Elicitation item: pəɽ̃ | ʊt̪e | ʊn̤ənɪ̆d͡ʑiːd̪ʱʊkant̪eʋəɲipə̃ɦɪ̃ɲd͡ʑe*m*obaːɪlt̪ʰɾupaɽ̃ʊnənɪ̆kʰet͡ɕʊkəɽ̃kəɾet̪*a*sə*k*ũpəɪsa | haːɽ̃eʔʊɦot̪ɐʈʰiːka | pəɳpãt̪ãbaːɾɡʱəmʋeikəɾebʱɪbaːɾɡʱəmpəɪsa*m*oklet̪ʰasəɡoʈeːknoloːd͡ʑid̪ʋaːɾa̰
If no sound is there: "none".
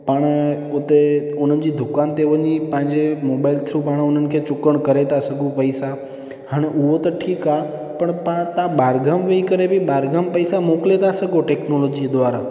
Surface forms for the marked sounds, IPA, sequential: m, a, ɡ, m

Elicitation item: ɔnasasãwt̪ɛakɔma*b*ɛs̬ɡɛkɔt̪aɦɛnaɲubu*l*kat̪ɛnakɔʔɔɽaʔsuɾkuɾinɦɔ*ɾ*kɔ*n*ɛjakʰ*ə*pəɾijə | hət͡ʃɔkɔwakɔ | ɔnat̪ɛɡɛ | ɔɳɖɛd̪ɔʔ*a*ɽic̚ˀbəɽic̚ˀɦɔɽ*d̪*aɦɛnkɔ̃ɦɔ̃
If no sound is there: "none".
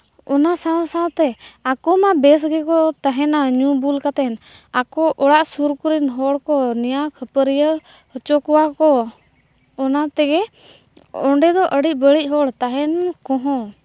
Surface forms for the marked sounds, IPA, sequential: b, l, ɽ, n, ə, ə, t̪

